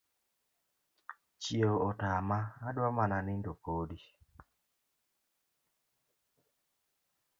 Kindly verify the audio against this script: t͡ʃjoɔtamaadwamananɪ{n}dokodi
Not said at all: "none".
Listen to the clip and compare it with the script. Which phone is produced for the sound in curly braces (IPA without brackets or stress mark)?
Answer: n